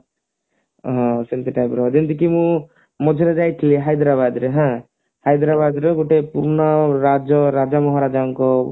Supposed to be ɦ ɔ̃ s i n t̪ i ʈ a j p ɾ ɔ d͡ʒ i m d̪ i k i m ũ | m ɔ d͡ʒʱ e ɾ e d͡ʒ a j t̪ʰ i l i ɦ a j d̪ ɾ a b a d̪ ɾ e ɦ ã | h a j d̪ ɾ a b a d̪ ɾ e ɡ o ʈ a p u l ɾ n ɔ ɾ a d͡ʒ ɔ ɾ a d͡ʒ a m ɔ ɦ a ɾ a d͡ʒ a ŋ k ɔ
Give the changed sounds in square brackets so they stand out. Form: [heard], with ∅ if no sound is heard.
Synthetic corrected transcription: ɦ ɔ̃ s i n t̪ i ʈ a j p ɾ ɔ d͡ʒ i [n] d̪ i k i m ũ | m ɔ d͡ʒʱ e ɾ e d͡ʒ a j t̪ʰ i l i ɦ a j d̪ ɾ a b a d̪ ɾ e ɦ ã | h a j d̪ ɾ a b a d̪ ɾ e ɡ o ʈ [e] p u [∅] ɾ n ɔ ɾ a d͡ʒ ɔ ɾ a d͡ʒ a m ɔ ɦ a ɾ a d͡ʒ a ŋ k ɔ

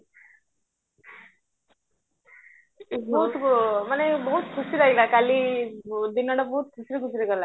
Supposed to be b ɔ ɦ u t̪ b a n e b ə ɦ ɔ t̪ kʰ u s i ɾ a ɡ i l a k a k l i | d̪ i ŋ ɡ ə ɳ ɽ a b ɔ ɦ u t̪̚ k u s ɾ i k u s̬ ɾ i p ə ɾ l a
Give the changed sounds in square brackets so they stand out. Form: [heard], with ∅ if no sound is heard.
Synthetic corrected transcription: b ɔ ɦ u t̪ [m] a n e b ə ɦ [u] t̪ kʰ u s i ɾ a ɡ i l a k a [∅] l i | d̪ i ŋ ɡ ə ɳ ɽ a b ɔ ɦ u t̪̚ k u s ɾ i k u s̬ ɾ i [k] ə ɾ l a

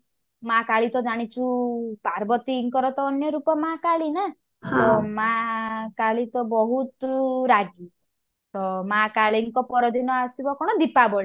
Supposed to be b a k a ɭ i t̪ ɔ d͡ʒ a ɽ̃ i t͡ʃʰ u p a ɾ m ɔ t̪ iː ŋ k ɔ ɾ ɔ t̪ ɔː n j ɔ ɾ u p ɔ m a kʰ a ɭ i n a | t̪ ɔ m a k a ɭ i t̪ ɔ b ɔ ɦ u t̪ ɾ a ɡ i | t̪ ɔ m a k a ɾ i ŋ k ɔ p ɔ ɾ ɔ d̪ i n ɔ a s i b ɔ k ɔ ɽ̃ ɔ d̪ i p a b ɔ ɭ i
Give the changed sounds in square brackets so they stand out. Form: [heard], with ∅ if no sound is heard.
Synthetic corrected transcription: [m] a k a ɭ i t̪ ɔ d͡ʒ a ɽ̃ i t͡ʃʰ u p a ɾ [b] ɔ t̪ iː ŋ k ɔ ɾ ɔ t̪ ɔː n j ɔ ɾ u p ɔ m a [k] a ɭ i n a | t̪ ɔ m a k a ɭ i t̪ ɔ b ɔ ɦ u t̪ ɾ a ɡ i | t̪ ɔ m a k a [ɭ] i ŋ k ɔ p ɔ ɾ ɔ d̪ i n ɔ a s i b ɔ k ɔ ɽ̃ ɔ d̪ i p a b ɔ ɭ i

